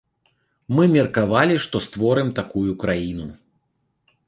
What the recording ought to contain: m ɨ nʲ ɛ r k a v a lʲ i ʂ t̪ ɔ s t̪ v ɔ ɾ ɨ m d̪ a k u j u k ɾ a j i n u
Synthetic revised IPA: m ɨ mʲ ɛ r k a v a lʲ i ʂ t̪ ɔ s t̪ v ɔ ɾ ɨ m t̪ a k u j u k ɾ a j i n u

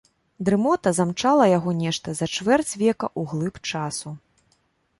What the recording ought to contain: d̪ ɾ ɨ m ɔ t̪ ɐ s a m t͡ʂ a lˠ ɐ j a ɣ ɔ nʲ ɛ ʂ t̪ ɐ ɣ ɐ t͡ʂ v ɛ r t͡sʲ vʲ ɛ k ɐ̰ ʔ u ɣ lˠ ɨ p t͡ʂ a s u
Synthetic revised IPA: d̪ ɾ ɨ m ɔ t̪ ɐ z a m t͡ʂ a lˠ ɐ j a ɣ ɔ nʲ ɛ ʂ t̪ ɐ z ɐ t͡ʂ v ɛ r t͡sʲ vʲ ɛ k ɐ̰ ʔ u ɣ lˠ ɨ p t͡ʂ a s u

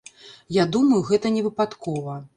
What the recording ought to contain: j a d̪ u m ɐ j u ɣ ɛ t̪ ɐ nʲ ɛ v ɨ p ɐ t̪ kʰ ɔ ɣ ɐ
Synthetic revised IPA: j a d̪ u m ɐ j u ɣ ɛ t̪ ɐ nʲ ɛ v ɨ p a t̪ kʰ ɔ v ɐ

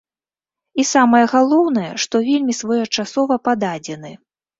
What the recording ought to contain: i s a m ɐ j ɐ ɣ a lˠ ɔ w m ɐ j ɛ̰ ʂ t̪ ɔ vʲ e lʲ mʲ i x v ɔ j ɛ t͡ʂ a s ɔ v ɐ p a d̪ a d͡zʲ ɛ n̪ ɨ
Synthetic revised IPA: i s a m ɐ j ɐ ɣ a lˠ ɔ w n ɐ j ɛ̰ ʂ t̪ ɔ vʲ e lʲ mʲ i s v ɔ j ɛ t͡ʂ a s ɔ v ɐ p a d̪ a d͡zʲ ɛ n̪ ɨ

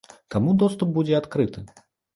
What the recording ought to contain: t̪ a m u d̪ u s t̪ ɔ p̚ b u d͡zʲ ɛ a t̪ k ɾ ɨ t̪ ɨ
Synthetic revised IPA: t̪ a m u d̪ ɔ s t̪ u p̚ b u d͡zʲ ɛ a t̪ k ɾ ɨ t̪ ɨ

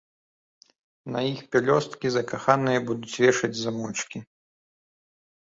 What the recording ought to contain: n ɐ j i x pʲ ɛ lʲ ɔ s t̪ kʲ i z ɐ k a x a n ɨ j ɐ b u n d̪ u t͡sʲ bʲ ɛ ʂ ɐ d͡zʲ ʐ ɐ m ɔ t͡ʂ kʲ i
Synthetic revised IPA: n ɐ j i x pʲ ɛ lʲ ɔ s t̪ kʲ i z ɐ k a x a n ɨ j ɐ b u d̪ u t͡sʲ vʲ ɛ ʂ ɐ d͡zʲ z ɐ m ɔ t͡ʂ kʲ i

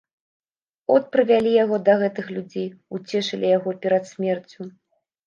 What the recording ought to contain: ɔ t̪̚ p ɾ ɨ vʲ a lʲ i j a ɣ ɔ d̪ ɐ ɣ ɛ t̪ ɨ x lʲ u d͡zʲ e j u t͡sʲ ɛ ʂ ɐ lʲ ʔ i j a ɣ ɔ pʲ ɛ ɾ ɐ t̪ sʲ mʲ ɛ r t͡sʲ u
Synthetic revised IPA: ɔ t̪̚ p ɾ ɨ vʲ a lʲ i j a ɣ ɔ d̪ ɐ ɣ ɛ t̪ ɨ x lʲ u d͡zʲ e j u t͡sʲ ɛ ʂ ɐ lʲ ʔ i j a ɣ ɔ pʲ ɛ ɾ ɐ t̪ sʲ mʲ ɛ r t͡sʲ u

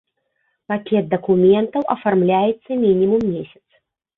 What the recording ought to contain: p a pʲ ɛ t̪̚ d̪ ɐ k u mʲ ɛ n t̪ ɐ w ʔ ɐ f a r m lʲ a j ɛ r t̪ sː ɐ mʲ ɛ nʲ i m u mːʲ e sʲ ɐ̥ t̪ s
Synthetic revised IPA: p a kʲ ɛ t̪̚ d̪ ɐ k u mʲ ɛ n t̪ ɐ w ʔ ɐ f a r m lʲ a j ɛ t̪ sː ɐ mʲ i nʲ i m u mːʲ e sʲ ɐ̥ t̪ s

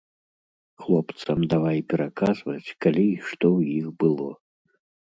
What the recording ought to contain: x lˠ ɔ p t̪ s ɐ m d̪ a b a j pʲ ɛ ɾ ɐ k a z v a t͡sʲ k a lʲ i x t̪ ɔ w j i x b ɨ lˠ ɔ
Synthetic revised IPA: x lˠ ɔ p t̪ s ɐ m d̪ a v a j pʲ ɛ ɾ a k a z v ɐ t͡sʲ k a lʲ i ʂ t̪ ɔ w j i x b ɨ lˠ ɔ

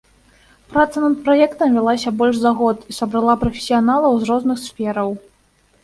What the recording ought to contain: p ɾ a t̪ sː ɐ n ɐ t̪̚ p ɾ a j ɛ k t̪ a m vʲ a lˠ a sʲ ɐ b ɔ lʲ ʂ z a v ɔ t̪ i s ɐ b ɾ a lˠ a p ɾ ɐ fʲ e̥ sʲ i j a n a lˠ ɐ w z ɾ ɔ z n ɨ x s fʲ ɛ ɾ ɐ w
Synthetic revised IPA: p ɾ a t̪ s ɐ n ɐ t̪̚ p ɾ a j ɛ k t̪ ɐ m vʲ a lˠ a sʲ ɐ b ɔ lʲ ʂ z a ɣ ɔ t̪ i s ɐ b ɾ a lˠ a p ɾ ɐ fʲ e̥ sʲ i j a n a lˠ ɐ w z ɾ ɔ z n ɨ x s fʲ ɛ ɾ ɐ w

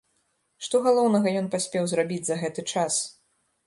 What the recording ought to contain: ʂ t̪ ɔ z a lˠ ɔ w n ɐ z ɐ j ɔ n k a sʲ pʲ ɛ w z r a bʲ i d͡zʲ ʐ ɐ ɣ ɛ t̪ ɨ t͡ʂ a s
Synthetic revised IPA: ʂ t̪ ɔ ɣ a lˠ ɔ w n ɐ ɣ ɐ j ɔ n p a sʲ pʲ ɛ w z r a bʲ i d͡zʲ z ɐ ɣ ɛ t̪ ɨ t͡ʂ a s

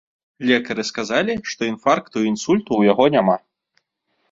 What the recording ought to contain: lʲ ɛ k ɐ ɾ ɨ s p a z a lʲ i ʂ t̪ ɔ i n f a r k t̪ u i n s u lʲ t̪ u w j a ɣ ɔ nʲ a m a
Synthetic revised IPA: lʲ ɛ k ɐ ɾ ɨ s k a z a lʲ i ʂ t̪ ɔ i n f a r k t̪ u i n s u lʲ t̪ u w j a ɣ ɔ nʲ a m a

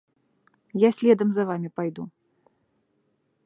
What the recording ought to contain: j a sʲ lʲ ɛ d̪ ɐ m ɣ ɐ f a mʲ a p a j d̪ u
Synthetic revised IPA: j a sʲ lʲ ɛ d̪ ɐ m z ɐ v a mʲ i p a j d̪ u

